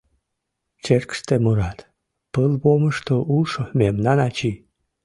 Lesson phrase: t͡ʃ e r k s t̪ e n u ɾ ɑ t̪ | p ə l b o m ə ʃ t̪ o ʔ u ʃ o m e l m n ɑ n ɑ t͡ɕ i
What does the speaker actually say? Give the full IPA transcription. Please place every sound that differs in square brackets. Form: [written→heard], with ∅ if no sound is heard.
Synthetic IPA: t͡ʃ e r k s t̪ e [n→m] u ɾ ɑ t̪ | p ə l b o m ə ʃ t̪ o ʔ u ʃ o m e [l→∅] m n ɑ n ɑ t͡ɕ i